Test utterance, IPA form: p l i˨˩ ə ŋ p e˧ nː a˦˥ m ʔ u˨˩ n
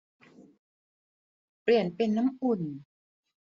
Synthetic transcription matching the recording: p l i˨˩ ə n p e˧ nː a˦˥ m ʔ u˨˩ n